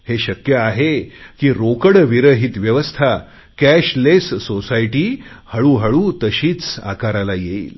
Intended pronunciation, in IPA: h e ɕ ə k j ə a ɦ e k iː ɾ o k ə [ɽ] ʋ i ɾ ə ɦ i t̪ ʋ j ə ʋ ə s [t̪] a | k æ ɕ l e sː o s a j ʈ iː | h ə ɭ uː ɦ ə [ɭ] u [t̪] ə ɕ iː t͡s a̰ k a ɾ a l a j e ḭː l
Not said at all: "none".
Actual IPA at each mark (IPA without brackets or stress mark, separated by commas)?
ɽ, t̪ʰ, ɭ, t̪